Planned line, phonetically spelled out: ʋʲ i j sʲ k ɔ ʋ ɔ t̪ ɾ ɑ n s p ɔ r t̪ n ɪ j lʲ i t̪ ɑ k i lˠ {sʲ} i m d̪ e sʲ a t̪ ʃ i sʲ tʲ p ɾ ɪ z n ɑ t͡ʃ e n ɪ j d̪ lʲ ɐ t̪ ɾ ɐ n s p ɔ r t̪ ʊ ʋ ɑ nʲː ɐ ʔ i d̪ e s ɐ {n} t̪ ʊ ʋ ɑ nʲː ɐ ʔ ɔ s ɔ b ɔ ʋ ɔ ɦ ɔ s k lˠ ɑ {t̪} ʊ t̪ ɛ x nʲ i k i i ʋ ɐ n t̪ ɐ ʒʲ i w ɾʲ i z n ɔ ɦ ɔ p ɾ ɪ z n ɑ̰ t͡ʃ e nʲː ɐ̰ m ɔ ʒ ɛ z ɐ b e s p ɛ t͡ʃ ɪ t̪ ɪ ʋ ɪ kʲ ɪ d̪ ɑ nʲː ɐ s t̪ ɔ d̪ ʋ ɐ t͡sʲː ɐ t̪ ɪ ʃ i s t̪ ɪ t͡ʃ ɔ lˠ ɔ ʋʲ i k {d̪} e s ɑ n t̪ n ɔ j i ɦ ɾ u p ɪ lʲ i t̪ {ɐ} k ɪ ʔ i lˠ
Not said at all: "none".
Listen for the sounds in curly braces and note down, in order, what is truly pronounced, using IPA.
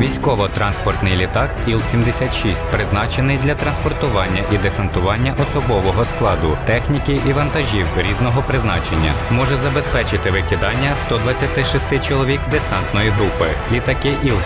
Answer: sʲ, n, d̪, d̪, ɐ

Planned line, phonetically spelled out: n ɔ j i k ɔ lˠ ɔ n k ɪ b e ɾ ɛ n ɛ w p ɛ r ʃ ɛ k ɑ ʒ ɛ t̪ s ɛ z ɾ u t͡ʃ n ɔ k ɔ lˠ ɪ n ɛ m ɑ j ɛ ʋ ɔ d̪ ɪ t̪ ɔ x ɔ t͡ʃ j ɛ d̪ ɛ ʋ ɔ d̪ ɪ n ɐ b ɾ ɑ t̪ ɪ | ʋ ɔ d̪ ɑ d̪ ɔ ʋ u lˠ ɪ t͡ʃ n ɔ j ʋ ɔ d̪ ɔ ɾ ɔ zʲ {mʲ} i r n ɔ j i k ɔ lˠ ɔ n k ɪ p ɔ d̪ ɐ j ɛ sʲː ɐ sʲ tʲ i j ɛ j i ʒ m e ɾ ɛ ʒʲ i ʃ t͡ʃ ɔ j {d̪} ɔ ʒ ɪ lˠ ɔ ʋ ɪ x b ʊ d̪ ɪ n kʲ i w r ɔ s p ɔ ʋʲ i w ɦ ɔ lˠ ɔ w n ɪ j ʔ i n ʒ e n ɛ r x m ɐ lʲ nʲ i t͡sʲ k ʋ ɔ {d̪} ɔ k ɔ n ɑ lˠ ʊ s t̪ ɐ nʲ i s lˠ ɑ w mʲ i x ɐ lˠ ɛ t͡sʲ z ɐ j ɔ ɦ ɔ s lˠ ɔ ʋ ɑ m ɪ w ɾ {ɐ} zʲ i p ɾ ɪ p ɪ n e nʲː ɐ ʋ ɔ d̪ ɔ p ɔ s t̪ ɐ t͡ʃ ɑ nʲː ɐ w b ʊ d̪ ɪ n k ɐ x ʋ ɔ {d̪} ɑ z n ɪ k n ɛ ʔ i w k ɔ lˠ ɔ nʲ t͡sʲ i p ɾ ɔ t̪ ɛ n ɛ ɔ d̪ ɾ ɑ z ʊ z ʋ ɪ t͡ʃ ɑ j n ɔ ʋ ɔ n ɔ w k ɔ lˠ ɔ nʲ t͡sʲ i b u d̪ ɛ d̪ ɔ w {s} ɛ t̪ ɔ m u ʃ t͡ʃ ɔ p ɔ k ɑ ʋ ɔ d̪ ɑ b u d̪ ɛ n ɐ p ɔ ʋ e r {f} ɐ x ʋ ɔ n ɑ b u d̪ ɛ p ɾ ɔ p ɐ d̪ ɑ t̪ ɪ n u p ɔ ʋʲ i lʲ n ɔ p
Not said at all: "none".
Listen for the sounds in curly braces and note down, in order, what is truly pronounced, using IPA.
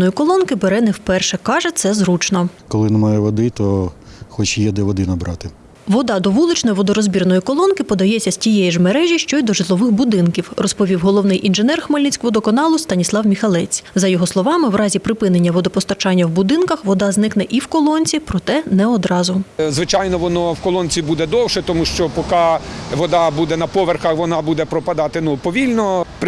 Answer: bʲ, d̪, d̪, ɑ, d̪, ʃ, x

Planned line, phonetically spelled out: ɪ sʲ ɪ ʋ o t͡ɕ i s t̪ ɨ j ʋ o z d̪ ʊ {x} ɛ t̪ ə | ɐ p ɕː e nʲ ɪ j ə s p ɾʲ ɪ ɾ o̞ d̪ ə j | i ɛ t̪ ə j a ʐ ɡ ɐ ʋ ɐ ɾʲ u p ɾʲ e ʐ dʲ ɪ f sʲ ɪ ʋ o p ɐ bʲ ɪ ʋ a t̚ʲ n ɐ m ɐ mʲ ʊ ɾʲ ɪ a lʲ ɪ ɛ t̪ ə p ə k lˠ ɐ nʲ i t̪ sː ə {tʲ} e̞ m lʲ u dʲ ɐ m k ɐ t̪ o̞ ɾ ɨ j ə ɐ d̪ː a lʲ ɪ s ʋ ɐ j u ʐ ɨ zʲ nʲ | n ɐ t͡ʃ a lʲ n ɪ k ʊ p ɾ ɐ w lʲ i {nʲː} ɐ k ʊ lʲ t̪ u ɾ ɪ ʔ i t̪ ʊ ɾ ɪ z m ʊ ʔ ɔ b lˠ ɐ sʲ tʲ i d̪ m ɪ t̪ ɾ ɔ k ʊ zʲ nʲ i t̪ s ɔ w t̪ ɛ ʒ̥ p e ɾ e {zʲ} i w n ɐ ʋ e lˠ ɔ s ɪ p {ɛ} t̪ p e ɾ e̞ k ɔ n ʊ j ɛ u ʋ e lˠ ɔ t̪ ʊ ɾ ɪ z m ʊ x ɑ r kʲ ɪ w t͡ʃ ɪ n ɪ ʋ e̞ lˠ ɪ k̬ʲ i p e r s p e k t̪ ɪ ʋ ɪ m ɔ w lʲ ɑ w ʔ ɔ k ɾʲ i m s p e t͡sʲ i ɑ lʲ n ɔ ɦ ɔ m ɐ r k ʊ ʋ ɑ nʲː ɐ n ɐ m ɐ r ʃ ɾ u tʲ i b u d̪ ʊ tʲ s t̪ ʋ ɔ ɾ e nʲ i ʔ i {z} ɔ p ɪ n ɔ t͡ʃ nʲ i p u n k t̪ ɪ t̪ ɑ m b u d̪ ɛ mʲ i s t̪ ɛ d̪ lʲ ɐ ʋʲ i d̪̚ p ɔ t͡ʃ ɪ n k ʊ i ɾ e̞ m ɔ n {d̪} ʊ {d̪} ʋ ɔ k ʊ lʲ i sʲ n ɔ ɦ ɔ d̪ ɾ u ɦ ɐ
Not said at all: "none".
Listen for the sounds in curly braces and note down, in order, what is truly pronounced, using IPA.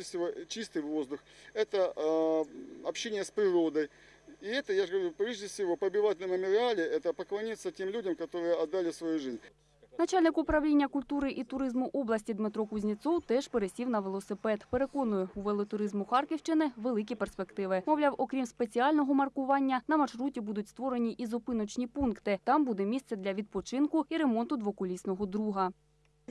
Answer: x, tʲ, nʲː, sʲ, ɛ, z, t̪, d̪

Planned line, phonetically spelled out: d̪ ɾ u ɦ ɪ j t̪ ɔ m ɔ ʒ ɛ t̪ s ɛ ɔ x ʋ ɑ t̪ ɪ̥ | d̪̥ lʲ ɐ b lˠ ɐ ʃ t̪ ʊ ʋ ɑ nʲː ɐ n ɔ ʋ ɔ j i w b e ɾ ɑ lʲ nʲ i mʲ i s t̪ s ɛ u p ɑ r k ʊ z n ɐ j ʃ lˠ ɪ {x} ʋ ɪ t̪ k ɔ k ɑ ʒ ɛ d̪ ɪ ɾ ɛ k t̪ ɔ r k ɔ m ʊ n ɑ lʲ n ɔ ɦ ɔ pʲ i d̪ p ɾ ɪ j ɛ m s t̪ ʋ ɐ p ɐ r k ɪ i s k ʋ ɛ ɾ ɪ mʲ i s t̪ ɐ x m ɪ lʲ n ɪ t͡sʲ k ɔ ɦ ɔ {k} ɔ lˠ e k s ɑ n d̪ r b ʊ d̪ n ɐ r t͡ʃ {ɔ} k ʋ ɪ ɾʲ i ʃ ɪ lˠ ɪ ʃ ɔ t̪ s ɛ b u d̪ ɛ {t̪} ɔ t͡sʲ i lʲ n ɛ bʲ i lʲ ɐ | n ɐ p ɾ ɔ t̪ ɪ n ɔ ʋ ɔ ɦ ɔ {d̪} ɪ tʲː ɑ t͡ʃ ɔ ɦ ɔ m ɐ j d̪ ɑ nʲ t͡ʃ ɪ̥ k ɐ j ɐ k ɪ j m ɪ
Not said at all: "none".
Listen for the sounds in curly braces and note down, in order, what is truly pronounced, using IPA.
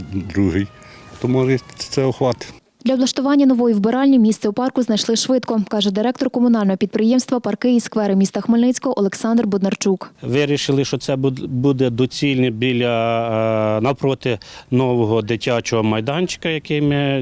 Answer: ʃ, ʔ, u, d̪, d̪

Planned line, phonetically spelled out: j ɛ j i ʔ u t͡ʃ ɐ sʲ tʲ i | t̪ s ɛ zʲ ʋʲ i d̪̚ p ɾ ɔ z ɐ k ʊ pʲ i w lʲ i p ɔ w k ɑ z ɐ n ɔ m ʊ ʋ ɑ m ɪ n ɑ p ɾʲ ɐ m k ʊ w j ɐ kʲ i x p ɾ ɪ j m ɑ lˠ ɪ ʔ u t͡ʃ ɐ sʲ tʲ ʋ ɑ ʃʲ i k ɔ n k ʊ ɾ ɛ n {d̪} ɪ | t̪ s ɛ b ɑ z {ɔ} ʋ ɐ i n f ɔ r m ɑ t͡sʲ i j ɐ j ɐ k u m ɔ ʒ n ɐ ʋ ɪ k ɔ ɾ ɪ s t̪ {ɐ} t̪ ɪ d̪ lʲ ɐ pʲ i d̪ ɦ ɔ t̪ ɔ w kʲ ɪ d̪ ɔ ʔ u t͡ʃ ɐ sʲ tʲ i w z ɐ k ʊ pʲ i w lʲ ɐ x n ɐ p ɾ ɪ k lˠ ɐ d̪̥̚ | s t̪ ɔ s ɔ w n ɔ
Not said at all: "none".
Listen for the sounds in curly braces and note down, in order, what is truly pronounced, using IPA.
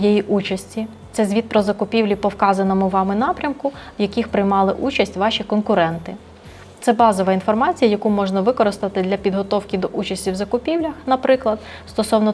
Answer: t̪, ɔ, ɐ

